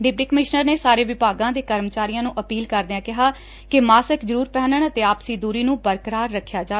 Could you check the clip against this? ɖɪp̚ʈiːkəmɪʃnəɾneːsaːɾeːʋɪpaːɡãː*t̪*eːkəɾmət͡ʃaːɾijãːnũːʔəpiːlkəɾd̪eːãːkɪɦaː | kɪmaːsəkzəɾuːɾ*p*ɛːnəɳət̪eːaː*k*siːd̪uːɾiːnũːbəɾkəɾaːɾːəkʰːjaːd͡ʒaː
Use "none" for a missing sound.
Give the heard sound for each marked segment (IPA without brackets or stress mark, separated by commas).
d̪, p, p